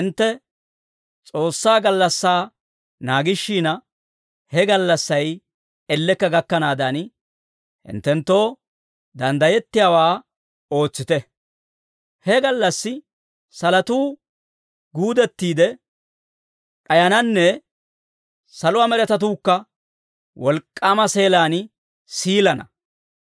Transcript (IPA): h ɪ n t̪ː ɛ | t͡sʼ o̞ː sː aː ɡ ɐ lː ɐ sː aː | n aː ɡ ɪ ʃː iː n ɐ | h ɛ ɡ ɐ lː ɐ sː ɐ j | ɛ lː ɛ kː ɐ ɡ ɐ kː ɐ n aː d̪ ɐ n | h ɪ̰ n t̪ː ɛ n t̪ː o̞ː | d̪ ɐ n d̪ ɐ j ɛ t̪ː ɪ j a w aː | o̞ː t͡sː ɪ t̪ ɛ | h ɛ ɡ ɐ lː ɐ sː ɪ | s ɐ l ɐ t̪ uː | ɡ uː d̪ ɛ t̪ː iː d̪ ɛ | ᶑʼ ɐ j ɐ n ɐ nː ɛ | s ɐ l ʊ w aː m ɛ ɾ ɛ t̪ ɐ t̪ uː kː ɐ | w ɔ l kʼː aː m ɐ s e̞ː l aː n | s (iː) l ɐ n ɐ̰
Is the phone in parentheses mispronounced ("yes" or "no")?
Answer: no